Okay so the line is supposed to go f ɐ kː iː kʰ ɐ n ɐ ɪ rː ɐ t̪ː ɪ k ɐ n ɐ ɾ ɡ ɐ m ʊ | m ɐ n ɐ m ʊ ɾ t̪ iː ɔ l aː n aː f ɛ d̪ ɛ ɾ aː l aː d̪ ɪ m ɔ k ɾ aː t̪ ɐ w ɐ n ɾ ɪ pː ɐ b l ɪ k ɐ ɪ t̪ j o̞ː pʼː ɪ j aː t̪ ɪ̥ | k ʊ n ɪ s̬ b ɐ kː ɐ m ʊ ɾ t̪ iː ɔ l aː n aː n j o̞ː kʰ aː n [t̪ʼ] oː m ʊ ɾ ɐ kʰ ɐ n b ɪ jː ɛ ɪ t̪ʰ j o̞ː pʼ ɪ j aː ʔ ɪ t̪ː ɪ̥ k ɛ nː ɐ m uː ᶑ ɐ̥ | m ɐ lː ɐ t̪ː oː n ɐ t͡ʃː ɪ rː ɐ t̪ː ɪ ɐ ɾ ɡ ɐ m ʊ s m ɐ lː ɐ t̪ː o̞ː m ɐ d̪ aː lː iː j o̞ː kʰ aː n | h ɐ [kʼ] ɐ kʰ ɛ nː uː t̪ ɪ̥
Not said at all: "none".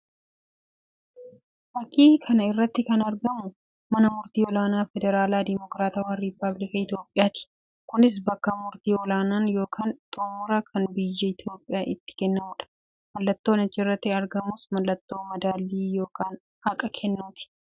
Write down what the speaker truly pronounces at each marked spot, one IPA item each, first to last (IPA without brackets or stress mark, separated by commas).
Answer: t̪ʼ, kʼ